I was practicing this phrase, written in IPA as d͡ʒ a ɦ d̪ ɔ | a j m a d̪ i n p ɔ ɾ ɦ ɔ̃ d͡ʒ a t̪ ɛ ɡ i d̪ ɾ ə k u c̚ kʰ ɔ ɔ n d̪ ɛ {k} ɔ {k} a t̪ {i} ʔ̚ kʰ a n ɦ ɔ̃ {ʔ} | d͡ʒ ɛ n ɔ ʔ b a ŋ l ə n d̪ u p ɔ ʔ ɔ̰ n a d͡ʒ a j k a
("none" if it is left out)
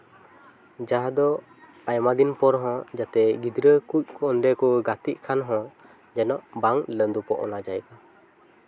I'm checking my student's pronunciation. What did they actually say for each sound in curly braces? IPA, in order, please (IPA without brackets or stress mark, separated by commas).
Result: k, ɡ, i, none